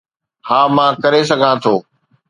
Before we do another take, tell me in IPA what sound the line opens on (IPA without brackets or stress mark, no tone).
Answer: h